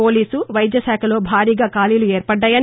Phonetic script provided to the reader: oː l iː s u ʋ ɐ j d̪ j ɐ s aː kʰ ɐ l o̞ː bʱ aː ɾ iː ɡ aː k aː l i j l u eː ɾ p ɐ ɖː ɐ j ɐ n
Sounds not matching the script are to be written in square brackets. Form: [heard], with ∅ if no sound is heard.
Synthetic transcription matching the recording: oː l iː s u ʋ ɐ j d̪ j ɐ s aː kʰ ɐ l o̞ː bʱ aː ɾ iː ɡ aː k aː l i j l u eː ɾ p ɐ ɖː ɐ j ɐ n